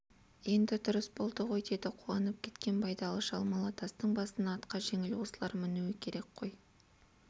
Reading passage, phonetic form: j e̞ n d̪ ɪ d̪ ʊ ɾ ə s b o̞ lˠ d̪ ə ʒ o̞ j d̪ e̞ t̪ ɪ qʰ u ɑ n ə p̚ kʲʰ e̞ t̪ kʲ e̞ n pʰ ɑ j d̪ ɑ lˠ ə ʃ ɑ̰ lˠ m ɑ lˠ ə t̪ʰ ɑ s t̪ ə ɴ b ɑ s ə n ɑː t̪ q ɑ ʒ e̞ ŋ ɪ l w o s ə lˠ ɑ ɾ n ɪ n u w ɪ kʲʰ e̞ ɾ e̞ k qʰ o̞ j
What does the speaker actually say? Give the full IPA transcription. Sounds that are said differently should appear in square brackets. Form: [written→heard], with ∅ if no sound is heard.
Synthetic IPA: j e̞ n d̪ ɪ d̪ ʊ ɾ ə s b o̞ lˠ d̪ ə [ʒ→ʁ] o̞ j d̪ e̞ [t̪→d̪] ɪ qʰ u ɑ n ə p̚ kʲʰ e̞ t̪ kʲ e̞ n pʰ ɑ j d̪ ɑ lˠ ə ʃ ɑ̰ lˠ m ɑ lˠ [ə→ɑ] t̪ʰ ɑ s t̪ ə ɴ b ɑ s ə n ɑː t̪ q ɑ ʒ e̞ ŋ ɪ l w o s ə lˠ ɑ ɾ [n→m] ɪ n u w ɪ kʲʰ e̞ ɾ e̞ k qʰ o̞ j